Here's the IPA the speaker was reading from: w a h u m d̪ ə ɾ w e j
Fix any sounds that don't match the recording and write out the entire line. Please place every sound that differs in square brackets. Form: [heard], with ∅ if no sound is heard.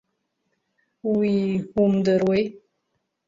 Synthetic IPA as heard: w [i] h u m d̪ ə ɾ w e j